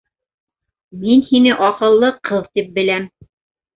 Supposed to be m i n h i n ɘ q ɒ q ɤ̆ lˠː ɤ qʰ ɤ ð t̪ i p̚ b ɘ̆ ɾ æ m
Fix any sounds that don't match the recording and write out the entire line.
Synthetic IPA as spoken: m i n h i n ɘ ʔ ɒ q ɤ̆ lˠː ɤ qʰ ɤ ð t̪ i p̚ b ɘ̆ l æ m

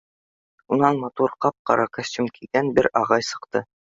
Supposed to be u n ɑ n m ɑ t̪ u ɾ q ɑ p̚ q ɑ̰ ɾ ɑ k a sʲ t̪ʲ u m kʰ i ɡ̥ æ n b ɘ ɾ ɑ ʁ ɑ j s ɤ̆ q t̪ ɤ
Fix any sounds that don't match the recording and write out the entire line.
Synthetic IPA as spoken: u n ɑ n m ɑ t̪ u ɾ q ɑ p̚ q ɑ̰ ɾ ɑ k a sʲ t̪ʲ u m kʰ i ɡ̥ æ n b ɘ ɾ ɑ ʁ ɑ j s ɤ̆ q t̪ ɤ

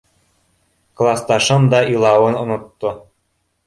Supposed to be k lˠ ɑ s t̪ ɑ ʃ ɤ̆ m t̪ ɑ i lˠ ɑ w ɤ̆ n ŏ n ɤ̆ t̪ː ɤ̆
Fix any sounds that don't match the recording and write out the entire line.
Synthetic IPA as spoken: k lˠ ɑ s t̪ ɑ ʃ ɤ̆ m d̪ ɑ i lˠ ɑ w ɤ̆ n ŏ n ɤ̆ t̪ː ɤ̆

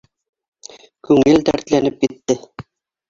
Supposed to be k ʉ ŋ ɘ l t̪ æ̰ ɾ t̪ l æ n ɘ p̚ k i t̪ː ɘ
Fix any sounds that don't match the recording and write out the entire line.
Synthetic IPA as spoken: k ʉ ŋ ɘ l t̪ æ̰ ɾ t̪ l æ n ɘ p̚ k i t̪ː ɘ

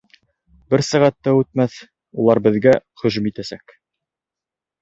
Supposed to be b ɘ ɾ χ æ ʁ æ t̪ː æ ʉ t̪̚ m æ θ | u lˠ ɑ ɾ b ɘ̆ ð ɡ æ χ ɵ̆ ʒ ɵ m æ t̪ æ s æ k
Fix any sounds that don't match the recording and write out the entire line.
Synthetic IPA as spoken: b ɘ ɾ s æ ʁ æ t̪ː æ ʉ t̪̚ m æ θ | u lˠ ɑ ɾ b ɘ̆ ð ɡ æ χ ɵ̆ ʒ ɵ m i t̪ æ s æ k

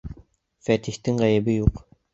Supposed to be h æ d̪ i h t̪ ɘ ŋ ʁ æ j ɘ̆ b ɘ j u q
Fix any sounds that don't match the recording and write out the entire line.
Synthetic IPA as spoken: f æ t̪ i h t̪ ɘ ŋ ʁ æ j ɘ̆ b ɘ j u q

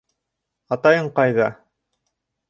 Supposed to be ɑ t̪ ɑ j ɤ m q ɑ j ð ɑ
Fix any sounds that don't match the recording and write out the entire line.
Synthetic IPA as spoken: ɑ t̪ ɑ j ɤ ɴ q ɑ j ð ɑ

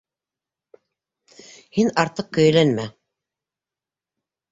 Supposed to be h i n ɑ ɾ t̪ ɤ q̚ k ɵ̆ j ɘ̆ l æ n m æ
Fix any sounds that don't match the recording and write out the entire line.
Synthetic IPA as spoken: h i n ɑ ɾ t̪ ɤ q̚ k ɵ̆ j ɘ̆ l æ n m æ

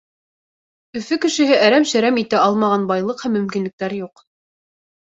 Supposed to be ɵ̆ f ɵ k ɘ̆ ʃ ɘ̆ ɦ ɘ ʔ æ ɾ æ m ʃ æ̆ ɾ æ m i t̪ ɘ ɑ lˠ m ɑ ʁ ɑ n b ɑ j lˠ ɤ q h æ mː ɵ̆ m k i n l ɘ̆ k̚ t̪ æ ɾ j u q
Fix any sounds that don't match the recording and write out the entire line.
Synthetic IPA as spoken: ɵ̆ f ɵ k ɘ̆ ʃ ɘ̆ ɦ ɘ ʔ æ ɾ æ m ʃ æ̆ ɾ æ m i t̪ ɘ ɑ lˠ m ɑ ʁ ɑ n b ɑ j lˠ ɤ q h æ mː ɵ̆ m k i n l ɘ̆ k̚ t̪ æ ɾ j u q

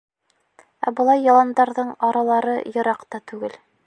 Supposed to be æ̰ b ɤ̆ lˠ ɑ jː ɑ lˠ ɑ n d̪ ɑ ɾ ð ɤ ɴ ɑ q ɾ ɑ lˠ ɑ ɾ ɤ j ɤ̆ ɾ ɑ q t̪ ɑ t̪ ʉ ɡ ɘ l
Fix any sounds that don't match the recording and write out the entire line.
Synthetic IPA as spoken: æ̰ b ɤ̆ lˠ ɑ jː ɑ lˠ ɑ n d̪ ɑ ɾ ð ɤ ɴ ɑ ɾ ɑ lˠ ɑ ɾ ɤ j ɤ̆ ɾ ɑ q t̪ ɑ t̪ ʉ ɡ ɘ l

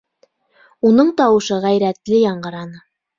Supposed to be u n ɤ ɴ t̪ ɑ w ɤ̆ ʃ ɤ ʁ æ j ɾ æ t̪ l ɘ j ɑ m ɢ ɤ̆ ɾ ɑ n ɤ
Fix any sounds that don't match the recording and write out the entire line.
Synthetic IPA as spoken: u n ɤ ɴ t̪ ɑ w ɤ̆ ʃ ɤ ʁ æ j ɾ æ t̪ l ɘ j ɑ ɴ ɢ ɤ̆ ɾ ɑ n ɤ

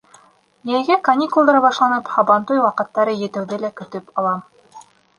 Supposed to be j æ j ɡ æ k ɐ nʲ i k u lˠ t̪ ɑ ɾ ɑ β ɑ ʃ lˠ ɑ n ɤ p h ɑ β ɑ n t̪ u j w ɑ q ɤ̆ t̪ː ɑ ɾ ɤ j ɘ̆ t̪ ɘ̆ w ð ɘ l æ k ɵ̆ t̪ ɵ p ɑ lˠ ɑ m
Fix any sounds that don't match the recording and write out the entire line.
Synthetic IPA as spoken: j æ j ɡ æ k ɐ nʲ i k u lˠ d̪ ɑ ɾ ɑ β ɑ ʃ lˠ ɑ n ɤ p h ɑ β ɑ n t̪ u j w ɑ q ɤ̆ t̪ː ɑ ɾ ɤ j ɘ̆ t̪ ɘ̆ w ð ɘ l æ k ɵ̆ t̪ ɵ p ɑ lˠ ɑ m

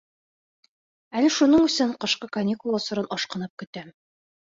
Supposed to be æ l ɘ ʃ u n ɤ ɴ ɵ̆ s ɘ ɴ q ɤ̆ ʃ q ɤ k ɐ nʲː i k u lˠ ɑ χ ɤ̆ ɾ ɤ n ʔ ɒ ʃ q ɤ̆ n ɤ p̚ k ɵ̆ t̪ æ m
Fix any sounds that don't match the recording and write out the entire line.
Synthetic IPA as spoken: æ l ɘ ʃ u n ɤ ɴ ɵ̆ s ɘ ɴ q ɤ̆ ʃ q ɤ k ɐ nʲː i k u lˠ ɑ s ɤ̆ ɾ ɤ n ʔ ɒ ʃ q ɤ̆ n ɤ p̚ k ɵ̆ t̪ æ m

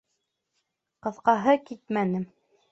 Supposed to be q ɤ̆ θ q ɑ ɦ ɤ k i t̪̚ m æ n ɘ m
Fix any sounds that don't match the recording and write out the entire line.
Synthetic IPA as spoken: q ɤ̆ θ q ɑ ɦ ɤ k i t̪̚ m æ n ɘ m

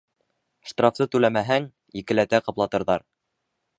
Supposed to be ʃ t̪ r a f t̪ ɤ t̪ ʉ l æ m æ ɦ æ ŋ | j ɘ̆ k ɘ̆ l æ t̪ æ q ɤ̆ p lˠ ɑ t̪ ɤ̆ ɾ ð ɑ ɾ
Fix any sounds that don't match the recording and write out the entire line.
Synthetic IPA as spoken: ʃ t̪ r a f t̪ ɤ t̪ ʉ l æ m æ ɦ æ ŋ | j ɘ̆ k ɘ̆ l æ t̪ æ q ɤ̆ p lˠ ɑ t̪ ɤ̆ ɾ ð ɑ ɾ

